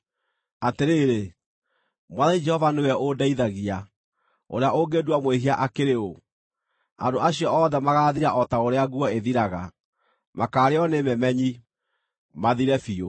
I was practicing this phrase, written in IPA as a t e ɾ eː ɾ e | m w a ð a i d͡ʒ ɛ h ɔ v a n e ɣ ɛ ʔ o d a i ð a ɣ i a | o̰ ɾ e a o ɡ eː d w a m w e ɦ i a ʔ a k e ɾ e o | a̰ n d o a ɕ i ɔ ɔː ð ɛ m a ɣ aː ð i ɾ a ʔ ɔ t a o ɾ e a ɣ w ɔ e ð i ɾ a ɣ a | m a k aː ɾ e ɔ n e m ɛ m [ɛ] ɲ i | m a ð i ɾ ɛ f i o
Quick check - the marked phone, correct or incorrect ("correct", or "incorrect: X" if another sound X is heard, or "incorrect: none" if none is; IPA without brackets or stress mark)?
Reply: correct